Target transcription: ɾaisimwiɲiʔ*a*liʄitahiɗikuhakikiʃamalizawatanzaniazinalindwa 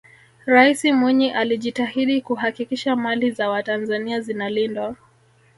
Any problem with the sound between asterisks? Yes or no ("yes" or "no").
no